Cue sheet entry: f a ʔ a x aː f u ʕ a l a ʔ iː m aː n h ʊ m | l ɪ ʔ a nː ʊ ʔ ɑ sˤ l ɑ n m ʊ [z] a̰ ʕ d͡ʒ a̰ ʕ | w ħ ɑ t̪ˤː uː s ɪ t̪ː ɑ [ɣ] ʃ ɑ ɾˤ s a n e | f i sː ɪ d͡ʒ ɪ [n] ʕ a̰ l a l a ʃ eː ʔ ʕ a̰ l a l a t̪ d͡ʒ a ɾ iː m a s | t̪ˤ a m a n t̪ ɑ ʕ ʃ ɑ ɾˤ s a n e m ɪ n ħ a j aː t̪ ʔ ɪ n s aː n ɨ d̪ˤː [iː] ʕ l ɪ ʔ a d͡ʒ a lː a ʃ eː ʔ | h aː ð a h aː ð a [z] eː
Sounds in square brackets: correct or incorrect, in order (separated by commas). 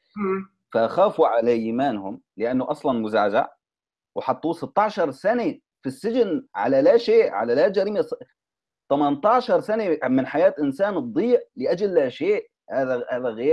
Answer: correct, incorrect, correct, correct, incorrect